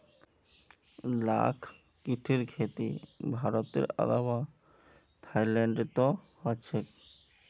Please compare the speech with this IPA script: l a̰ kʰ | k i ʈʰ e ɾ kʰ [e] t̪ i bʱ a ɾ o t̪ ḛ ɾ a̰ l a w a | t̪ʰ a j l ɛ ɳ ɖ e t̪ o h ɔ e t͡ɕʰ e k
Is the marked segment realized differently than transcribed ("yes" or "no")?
no